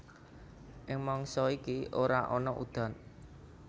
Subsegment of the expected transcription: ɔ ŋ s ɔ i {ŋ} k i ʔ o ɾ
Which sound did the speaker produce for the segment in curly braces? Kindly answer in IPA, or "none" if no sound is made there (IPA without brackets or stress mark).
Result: none